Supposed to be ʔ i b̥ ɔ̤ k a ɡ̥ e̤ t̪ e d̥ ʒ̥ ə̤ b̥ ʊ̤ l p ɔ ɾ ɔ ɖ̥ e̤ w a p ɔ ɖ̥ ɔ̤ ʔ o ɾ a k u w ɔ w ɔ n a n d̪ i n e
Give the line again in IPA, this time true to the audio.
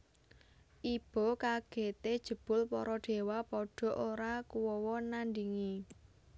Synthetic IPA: ʔ i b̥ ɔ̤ k a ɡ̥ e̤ t̪ e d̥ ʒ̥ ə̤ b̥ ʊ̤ l p ɔ ɾ ɔ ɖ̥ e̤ w a p ɔ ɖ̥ ɔ̤ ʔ o ɾ a k u w ɔ w ɔ n a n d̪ i ŋ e